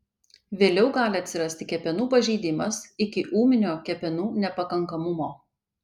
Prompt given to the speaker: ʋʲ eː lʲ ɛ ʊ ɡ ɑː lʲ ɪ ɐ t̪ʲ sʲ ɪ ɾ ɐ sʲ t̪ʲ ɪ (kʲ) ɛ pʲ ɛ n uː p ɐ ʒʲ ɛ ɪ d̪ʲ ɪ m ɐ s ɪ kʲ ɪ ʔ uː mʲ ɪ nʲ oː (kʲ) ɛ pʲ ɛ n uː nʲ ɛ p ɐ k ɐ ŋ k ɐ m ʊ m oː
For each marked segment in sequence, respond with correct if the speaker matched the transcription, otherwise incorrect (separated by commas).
correct, correct